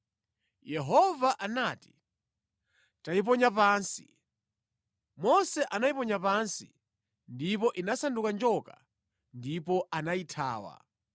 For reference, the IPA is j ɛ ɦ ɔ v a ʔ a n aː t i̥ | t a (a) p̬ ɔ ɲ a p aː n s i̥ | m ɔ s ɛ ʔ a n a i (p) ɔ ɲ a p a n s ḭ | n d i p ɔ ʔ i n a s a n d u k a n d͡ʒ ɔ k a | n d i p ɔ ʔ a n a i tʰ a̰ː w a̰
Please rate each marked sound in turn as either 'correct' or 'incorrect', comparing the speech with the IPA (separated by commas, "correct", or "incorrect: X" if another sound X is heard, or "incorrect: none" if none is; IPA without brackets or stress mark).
incorrect: i, correct